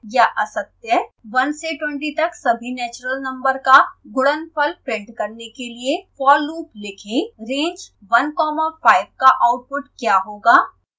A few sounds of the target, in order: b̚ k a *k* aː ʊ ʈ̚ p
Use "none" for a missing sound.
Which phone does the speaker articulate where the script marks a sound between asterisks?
ʔ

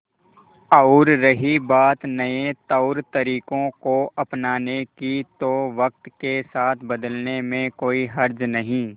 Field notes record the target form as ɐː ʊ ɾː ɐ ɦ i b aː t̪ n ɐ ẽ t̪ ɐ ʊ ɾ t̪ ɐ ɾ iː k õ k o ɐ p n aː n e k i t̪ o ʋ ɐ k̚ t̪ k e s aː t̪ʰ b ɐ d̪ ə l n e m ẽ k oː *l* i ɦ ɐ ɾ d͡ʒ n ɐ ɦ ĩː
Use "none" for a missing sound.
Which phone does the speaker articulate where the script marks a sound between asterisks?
none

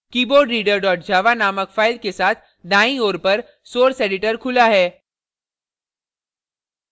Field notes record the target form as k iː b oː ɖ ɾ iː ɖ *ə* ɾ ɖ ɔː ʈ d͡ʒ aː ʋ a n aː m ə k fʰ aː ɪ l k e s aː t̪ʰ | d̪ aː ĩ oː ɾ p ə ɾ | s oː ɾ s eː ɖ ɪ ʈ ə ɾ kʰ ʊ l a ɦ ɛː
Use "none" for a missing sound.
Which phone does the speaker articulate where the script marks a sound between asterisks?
ə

